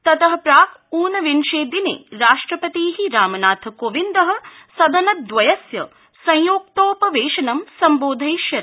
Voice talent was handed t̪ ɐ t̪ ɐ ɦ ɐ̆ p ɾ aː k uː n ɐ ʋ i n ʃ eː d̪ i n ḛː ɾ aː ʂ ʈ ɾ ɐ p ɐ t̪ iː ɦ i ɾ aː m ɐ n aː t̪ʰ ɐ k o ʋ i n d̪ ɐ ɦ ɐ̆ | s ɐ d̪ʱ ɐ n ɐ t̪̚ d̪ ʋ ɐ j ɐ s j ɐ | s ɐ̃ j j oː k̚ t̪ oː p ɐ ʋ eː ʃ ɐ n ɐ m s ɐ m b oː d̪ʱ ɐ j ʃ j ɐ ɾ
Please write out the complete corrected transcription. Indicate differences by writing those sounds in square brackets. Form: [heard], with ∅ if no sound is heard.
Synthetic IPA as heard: t̪ ɐ t̪ ɐ ɦ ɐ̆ p ɾ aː k uː n ɐ ʋ i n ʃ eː d̪ i n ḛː ɾ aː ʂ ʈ ɾ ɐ p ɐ t̪ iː ɦ i ɾ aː m ɐ n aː t̪ʰ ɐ k o ʋ i n d̪ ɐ ɦ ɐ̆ | s ɐ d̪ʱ ɐ n ɐ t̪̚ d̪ ʋ ɐ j ɐ s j ɐ | s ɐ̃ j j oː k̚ t̪ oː p ɐ ʋ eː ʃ ɐ n ɐ m s ɐ m b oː d̪ʱ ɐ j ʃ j ɐ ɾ